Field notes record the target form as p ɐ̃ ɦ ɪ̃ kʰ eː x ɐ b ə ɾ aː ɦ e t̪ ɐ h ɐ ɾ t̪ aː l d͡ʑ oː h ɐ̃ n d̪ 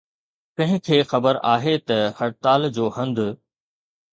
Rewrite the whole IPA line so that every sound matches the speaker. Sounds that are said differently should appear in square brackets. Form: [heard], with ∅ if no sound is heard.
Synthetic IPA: p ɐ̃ ɦ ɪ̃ kʰ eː x ɐ b ə ɾ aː ɦ e t̪ ɐ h ɐ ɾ t̪ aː l d͡ʑ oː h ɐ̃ n d̪

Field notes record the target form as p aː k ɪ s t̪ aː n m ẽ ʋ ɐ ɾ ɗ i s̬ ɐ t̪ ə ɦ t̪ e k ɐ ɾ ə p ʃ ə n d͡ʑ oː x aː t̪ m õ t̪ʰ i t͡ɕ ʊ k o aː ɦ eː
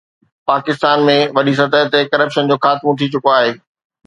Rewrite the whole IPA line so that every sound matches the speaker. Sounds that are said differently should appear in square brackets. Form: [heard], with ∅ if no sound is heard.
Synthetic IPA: p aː k ɪ s t̪ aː n m ẽ ʋ ɐ [∅] ɗ i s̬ ɐ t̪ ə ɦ t̪ e k ɐ ɾ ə p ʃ ə n d͡ʑ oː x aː t̪ m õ t̪ʰ i t͡ɕ ʊ k o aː ɦ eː

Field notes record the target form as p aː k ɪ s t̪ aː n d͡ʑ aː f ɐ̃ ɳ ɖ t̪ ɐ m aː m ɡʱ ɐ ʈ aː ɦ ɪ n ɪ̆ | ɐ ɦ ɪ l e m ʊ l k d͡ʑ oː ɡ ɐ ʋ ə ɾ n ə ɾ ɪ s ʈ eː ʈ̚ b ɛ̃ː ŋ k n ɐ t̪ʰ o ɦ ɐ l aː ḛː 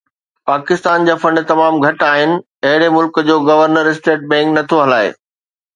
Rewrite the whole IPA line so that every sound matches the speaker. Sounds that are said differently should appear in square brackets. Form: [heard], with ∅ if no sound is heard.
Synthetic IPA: p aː k ɪ s t̪ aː n d͡ʑ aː f ɐ̃ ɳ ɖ t̪ ɐ m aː m ɡʱ ɐ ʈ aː ɦ ɪ n ɪ̆ | ɐ ɦ ɪ [ɽ] e m ʊ l k d͡ʑ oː ɡ ɐ ʋ ə ɾ n ə ɾ ɪ s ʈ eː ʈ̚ b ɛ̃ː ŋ k n ɐ t̪ʰ o ɦ ɐ l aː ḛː

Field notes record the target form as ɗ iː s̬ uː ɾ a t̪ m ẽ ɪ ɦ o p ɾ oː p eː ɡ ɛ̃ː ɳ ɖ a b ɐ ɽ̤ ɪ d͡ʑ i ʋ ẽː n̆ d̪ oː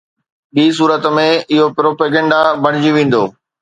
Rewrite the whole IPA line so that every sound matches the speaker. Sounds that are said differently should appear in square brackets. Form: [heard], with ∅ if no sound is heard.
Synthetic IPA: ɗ iː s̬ uː ɾ [ə] t̪ m ẽ ɪ ɦ o p ɾ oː p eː ɡ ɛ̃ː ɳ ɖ a b ɐ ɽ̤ ɪ d͡ʑ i ʋ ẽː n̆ d̪ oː

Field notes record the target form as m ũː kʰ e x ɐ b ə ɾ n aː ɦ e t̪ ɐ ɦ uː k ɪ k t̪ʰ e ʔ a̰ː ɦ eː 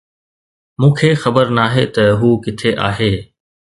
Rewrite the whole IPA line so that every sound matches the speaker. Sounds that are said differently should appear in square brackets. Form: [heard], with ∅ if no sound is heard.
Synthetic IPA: m ũː kʰ e x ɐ b ə ɾ n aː ɦ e t̪ ɐ ɦ uː k ɪ [∅] t̪ʰ e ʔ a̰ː ɦ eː

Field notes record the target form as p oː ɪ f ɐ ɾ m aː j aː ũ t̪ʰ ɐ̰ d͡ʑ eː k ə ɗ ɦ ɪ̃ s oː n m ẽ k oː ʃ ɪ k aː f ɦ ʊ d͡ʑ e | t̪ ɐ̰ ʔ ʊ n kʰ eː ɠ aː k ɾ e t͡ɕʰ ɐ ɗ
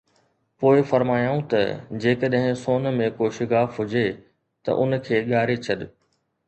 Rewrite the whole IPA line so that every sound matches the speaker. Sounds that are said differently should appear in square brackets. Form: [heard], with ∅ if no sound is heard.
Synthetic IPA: p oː ɪ f ɐ ɾ m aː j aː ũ [t̪] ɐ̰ d͡ʑ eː k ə ɗ ɦ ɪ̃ s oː n m ẽ k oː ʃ ɪ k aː f ɦ ʊ d͡ʑ e | t̪ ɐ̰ ʔ ʊ n kʰ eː ɠ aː [∅] ɾ e t͡ɕʰ ɐ ɗ

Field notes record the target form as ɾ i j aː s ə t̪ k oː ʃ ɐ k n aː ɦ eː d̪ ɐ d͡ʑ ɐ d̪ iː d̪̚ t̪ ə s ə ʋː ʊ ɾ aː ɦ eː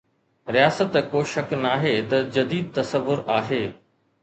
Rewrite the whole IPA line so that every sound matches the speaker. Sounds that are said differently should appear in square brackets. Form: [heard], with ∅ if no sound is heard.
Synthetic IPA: ɾ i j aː s ə t̪ k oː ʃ ɐ k n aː ɦ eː [t̪] ɐ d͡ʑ ɐ d̪ iː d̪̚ t̪ [ɐ] s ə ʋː ʊ ɾ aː ɦ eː

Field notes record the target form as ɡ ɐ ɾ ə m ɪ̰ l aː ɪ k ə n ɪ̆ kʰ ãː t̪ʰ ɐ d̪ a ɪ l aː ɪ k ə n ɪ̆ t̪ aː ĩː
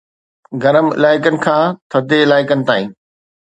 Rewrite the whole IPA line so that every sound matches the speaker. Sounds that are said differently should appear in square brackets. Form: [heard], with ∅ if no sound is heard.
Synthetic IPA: ɡ ɐ ɾ ə m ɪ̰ l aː ɪ k ə n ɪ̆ kʰ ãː t̪ʰ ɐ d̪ [e] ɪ l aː ɪ k ə n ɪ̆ t̪ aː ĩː

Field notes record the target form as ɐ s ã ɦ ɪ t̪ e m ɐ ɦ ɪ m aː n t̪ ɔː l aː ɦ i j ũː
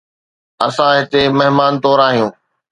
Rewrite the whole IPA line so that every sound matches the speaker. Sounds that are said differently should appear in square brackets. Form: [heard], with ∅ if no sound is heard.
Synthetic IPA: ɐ s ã ɦ ɪ t̪ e m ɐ ɦ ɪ m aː n t̪ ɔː [ɾ] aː ɦ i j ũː

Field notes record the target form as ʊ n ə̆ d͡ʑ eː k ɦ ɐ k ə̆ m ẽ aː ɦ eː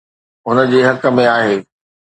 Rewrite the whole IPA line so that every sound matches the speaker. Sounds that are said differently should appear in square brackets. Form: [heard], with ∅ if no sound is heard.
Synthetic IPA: ʊ n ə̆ d͡ʑ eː [∅] ɦ ɐ k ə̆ m ẽ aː ɦ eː

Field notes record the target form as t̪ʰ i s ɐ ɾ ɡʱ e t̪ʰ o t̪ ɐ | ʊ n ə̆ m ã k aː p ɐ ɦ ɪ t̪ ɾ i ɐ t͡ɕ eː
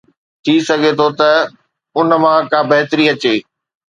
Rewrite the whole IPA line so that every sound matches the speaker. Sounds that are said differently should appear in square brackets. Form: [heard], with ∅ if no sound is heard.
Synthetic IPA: t̪ʰ i s ɐ [∅] ɡʱ e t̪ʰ o t̪ ɐ | ʊ n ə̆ m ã k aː [b] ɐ ɦ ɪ t̪ ɾ i ɐ t͡ɕ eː

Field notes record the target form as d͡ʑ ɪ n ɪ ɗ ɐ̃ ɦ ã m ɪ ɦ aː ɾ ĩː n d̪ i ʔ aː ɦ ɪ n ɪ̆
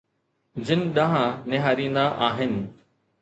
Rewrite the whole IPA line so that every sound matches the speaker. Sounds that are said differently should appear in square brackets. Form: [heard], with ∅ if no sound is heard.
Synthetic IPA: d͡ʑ ɪ n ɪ ɗ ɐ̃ ɦ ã [n] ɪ ɦ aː ɾ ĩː n d̪ [a] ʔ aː ɦ ɪ n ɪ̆

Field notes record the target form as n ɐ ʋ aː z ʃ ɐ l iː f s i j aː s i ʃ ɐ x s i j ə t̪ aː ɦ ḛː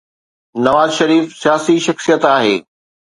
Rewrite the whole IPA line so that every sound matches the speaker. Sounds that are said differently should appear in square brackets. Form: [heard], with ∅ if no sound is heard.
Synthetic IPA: n ɐ ʋ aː z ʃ ɐ [ɾ] iː f s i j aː s i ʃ ɐ x s i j ə t̪ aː ɦ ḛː

